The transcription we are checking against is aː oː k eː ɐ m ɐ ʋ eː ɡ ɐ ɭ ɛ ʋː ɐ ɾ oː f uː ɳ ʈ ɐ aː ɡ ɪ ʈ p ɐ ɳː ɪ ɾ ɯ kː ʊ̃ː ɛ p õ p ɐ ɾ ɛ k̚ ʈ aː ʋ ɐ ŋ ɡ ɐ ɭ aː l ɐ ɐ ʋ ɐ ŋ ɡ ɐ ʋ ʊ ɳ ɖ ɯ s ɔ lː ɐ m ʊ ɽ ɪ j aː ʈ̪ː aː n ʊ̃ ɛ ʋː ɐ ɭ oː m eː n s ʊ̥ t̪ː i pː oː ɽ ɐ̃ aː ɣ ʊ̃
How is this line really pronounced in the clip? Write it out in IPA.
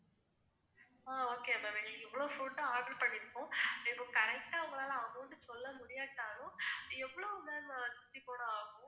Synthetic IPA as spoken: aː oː k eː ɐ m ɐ ʋ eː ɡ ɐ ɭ ɛ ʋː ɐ ɭ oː f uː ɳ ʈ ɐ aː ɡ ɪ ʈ p ɐ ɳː ɪ ɾ ɯ kː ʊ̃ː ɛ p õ k ɐ ɾ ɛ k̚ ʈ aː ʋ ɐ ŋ ɡ ɐ ɭ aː l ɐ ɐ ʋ ɐ ŋ ɡ ɐ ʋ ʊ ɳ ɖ ɯ s ɔ lː ɐ m ʊ ɽ ɪ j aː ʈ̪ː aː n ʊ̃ ɛ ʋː ɐ ɭ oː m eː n s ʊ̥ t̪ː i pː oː ɽ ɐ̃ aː ɣ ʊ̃